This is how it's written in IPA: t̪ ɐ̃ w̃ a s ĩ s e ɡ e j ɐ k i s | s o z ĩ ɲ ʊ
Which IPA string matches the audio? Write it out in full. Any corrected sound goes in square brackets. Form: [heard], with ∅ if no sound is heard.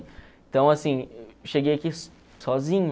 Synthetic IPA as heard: t̪ ɐ̃ w̃ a s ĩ [ʃ] e ɡ e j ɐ k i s | s [ɔ] z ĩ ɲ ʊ